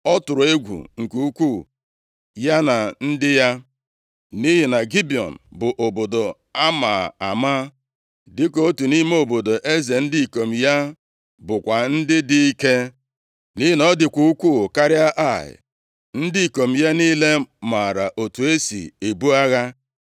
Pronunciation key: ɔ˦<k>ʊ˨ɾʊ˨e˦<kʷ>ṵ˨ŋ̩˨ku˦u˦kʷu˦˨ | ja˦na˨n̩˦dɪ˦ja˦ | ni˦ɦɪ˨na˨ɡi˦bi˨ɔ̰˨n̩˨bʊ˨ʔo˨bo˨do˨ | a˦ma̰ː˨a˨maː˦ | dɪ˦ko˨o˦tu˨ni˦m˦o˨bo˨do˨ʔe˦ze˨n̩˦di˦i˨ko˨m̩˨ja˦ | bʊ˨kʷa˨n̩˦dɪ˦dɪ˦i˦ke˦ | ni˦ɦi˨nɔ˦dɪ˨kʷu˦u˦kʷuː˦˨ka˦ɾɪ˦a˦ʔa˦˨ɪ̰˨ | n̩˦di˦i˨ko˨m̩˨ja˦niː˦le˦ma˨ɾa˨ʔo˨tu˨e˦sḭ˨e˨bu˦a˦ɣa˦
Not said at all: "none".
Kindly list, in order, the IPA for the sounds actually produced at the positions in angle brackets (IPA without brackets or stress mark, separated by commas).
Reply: t, ɡʷ